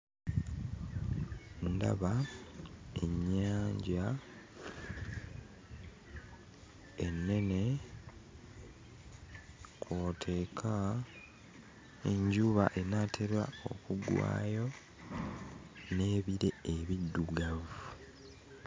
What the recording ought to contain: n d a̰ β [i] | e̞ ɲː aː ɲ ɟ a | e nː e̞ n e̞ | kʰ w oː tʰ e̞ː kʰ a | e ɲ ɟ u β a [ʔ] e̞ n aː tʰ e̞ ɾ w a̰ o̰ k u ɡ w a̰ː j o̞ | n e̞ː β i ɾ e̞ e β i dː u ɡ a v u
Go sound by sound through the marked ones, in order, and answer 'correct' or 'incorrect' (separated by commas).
incorrect, correct